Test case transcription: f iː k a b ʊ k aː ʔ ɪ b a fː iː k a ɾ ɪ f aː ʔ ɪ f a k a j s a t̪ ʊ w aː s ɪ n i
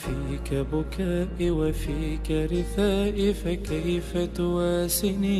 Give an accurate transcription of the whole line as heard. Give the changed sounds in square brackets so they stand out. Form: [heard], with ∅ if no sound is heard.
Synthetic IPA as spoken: f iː k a b ʊ k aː ʔ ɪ [w] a [f] iː k a ɾ ɪ [θ] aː ʔ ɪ f a k a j [f] a t̪ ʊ w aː s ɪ n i